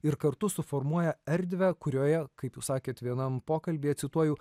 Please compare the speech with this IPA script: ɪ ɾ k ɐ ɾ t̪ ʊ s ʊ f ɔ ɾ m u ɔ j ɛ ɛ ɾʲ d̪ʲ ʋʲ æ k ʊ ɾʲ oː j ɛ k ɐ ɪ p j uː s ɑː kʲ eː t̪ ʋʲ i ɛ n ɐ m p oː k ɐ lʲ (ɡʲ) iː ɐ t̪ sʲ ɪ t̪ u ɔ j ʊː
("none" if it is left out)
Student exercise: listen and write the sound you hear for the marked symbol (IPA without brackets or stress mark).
bʲ